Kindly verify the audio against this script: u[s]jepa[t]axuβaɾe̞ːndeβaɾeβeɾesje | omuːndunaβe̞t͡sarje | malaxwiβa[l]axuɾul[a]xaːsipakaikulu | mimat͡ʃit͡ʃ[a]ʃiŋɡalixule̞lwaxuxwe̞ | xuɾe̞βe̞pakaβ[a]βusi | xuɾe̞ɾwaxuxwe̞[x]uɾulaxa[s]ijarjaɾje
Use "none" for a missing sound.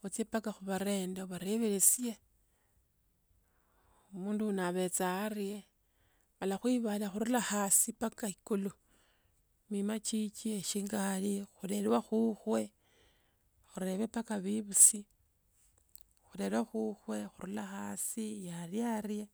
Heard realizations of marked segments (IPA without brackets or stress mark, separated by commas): t͡s, k, l, a, e, i, x, s